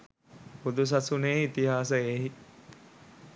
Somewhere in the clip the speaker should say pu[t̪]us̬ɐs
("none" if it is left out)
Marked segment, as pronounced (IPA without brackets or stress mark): d̪